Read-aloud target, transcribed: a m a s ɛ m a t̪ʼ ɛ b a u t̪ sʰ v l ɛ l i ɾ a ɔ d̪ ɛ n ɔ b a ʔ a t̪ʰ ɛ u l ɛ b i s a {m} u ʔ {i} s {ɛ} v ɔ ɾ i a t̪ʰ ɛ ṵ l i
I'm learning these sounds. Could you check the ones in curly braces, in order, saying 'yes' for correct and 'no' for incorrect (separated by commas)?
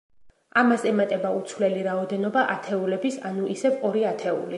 no, yes, yes